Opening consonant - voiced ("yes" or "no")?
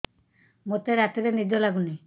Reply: yes